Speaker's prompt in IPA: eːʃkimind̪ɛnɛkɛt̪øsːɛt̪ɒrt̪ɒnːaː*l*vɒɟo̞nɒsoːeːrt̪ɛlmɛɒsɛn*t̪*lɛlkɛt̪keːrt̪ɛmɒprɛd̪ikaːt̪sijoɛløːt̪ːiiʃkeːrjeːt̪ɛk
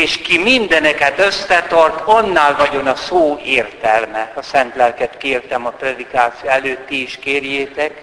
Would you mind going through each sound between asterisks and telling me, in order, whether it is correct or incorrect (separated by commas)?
correct, correct